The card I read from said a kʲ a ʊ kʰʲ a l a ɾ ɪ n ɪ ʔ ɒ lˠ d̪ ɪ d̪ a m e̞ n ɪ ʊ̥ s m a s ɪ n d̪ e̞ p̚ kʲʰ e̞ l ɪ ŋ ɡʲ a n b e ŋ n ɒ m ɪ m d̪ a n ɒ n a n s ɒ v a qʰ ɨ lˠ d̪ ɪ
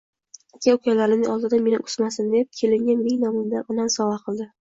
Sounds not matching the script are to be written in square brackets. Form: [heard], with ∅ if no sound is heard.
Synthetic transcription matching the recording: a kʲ a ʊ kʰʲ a l a ɾ ɪ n ɪ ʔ ɒ lˠ d̪ ɪ d̪ a m e̞ n ɪ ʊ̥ s m a s ɪ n d̪ e̞ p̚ kʲʰ e̞ l ɪ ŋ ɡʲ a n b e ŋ n ɒ m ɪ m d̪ a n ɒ n a n s ɒ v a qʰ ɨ lˠ d̪ ɪ